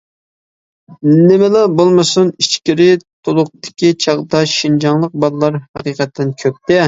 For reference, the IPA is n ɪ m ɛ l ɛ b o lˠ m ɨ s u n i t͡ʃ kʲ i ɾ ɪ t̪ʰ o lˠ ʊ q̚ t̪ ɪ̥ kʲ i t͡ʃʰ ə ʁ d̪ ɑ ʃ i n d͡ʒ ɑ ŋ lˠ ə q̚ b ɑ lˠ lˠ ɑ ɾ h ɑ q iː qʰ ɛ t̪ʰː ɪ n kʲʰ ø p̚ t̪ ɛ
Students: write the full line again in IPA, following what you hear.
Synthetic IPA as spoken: n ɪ m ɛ l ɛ b o lˠ m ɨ s u n i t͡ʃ kʲ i ɾ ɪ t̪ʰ o lˠ ʊ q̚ t̪ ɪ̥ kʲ i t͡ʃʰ ɑ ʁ d̪ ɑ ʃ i n d͡ʒ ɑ ŋ lˠ ə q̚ b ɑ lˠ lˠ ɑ ɾ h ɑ q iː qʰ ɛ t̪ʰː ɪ n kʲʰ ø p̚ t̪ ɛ